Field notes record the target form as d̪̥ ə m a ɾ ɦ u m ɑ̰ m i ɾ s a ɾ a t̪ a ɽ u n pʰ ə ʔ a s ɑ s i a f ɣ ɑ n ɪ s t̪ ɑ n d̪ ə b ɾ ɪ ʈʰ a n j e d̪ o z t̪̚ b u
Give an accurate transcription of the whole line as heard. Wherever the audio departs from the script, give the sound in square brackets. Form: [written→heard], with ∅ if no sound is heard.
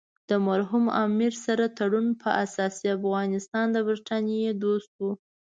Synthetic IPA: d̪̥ ə m a ɾ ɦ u m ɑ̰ m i ɾ s a ɾ a t̪ a ɽ u n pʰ ə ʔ a s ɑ s i a f ɣ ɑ n ɪ s t̪ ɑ n d̪ ə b ɾ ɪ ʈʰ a n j e d̪ o [z→s] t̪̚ [b→w] u